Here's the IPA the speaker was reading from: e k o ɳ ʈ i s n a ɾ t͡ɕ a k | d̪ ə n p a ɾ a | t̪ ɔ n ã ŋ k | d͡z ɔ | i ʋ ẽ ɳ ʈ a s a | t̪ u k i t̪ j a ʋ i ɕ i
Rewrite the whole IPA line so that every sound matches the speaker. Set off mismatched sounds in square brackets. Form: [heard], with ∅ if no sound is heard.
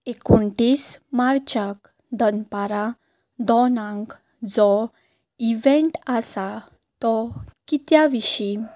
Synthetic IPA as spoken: e k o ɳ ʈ i s [m] a ɾ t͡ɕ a k | d̪ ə n p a ɾ a | [d̪] ɔ n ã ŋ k | d͡z ɔ | i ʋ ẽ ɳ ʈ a s a | t̪ [ɔ] k i t̪ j a ʋ i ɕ i